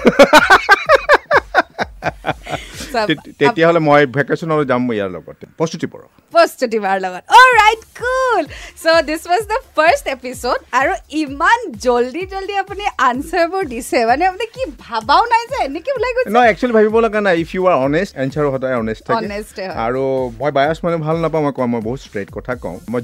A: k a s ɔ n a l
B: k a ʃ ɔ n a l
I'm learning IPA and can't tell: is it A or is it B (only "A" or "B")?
A